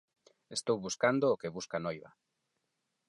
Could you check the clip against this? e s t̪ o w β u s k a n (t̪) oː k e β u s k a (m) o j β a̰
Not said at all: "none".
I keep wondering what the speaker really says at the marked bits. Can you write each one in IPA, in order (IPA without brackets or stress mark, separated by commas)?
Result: d̪, n